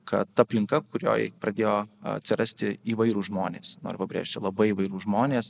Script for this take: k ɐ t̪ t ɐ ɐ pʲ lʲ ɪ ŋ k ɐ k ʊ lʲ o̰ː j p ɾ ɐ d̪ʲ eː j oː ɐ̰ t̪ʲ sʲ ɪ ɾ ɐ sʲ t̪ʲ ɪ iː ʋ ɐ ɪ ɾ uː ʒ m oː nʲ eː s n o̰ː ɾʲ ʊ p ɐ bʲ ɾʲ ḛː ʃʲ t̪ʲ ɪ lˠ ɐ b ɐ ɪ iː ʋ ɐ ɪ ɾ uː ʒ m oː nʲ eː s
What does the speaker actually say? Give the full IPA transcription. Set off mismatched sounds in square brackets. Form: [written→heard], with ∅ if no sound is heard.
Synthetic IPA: k ɐ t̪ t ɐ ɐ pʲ lʲ ɪ ŋ k ɐ k ʊ [lʲ→ɾʲ] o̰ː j p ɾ ɐ d̪ʲ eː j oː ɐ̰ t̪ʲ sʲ ɪ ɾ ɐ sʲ t̪ʲ ɪ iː ʋ ɐ ɪ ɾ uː ʒ m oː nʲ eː s n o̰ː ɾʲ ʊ p ɐ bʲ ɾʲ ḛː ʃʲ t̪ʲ ɪ lˠ ɐ b ɐ ɪ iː ʋ ɐ ɪ ɾ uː ʒ m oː nʲ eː s